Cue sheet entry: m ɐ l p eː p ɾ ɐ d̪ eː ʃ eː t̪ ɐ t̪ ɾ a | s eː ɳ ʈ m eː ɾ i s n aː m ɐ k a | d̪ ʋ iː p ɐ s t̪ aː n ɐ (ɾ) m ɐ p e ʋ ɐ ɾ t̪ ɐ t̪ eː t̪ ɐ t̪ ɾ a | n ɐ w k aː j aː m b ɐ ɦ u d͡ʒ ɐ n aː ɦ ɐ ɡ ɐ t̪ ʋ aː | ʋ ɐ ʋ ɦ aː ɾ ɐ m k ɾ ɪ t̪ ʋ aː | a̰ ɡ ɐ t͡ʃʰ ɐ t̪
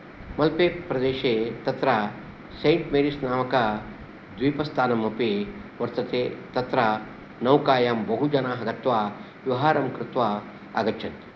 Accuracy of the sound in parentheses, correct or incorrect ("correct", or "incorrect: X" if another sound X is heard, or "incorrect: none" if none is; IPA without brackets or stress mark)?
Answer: incorrect: none